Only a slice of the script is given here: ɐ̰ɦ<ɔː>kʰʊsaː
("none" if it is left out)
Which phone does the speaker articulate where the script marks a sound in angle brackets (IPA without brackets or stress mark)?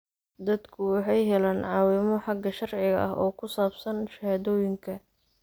ɔː